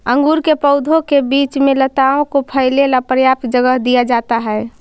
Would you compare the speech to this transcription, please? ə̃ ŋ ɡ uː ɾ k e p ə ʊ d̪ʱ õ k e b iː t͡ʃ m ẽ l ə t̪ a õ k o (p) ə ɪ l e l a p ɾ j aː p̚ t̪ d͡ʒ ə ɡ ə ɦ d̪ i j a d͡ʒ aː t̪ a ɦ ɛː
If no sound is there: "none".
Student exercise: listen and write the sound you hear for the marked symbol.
pʰ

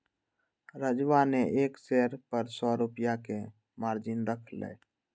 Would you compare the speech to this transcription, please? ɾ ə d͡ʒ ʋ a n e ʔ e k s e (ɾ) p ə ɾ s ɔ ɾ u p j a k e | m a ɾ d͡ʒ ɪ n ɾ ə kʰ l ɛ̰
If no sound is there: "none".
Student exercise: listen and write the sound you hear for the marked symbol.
ɾ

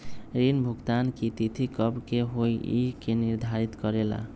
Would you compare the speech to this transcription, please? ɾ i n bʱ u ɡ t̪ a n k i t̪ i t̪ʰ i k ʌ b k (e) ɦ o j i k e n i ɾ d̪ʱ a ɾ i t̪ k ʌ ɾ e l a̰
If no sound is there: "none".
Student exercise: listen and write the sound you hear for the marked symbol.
e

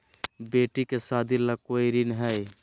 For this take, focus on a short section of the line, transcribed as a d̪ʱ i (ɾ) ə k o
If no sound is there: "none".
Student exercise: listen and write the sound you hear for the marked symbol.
l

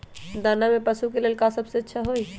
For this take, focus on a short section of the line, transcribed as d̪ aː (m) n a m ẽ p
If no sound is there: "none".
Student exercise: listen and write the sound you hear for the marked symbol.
none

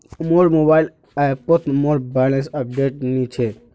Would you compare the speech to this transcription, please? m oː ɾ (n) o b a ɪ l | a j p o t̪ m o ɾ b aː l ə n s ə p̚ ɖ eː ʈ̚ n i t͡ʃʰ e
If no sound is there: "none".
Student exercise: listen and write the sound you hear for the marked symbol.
m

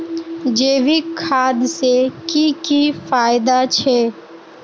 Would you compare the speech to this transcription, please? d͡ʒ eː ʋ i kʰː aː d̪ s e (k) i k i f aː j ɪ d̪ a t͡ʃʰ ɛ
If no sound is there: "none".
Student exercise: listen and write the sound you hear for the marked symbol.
k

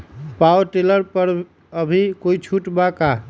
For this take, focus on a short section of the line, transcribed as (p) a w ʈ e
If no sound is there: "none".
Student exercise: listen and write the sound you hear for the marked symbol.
p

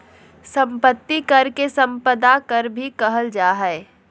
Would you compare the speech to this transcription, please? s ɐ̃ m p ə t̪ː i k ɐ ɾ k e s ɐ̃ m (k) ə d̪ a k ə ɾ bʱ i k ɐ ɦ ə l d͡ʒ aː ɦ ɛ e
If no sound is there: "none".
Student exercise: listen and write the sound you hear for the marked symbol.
p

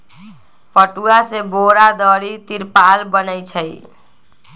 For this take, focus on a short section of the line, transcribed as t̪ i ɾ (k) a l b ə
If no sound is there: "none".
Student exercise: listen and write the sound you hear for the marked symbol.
p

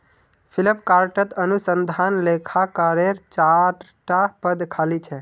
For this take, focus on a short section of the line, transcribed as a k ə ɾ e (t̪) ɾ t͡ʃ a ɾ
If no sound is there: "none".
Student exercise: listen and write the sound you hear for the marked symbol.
none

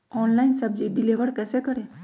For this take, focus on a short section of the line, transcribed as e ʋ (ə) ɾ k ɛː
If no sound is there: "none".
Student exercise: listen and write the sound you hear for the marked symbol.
ə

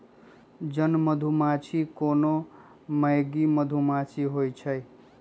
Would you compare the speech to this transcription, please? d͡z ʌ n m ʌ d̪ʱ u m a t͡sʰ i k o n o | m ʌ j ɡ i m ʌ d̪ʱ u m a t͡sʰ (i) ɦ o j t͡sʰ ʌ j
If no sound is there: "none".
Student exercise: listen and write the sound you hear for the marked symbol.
i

